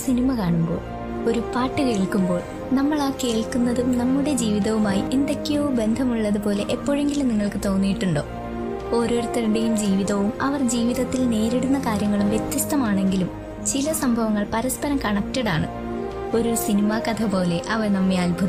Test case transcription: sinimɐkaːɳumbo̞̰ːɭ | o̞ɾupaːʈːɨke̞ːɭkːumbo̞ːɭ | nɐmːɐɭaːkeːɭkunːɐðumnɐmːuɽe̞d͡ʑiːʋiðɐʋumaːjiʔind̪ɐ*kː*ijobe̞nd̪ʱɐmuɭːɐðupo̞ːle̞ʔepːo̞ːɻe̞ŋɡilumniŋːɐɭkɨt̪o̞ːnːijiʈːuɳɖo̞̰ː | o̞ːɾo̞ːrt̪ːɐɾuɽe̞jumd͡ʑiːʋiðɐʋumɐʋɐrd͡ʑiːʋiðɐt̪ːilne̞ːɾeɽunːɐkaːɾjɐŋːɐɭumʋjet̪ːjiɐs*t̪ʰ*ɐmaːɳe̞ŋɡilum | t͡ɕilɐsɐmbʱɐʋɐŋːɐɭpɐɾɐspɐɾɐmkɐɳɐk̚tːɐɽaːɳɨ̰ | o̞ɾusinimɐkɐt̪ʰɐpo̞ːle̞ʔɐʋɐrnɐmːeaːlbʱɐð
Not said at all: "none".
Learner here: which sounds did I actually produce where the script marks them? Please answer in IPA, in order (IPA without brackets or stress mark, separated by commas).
kː, t̪